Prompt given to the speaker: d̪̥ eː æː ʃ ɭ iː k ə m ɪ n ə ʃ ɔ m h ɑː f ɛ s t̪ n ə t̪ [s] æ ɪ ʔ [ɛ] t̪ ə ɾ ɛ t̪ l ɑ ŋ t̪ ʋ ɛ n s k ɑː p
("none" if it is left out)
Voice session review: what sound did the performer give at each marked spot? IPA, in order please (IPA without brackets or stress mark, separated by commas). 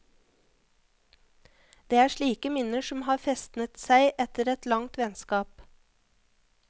s, ɛ